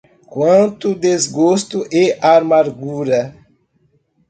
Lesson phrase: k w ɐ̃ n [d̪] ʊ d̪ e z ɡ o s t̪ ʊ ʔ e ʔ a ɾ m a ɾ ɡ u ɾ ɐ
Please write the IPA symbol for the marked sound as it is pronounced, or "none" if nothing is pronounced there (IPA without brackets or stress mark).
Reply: t̪